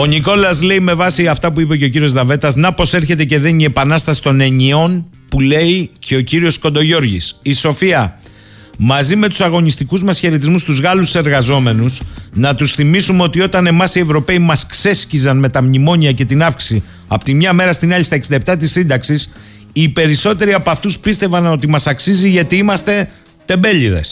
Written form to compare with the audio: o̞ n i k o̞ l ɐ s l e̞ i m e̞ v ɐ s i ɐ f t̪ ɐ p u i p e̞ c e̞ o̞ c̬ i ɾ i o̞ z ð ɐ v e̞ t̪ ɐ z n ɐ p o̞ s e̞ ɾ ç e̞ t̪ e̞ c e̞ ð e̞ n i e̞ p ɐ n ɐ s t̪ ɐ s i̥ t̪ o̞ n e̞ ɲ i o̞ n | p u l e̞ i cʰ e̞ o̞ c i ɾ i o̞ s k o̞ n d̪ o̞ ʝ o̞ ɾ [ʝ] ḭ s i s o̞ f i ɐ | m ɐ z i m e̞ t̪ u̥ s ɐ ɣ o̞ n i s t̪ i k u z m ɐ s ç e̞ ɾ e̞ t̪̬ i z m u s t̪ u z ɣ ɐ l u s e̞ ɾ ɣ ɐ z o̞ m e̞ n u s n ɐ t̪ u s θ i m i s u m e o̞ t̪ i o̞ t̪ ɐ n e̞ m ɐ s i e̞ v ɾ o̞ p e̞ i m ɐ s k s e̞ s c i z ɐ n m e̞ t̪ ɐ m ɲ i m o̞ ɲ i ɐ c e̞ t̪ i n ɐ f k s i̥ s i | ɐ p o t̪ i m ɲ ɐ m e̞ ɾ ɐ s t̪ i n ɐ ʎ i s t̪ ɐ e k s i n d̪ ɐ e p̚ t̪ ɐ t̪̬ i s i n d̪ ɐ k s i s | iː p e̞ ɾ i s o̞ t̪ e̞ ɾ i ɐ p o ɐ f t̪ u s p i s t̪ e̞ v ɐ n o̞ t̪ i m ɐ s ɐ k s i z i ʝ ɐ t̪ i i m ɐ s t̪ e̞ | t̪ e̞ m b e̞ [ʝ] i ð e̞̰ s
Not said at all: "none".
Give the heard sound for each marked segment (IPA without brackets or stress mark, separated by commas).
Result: ʝ, ʎ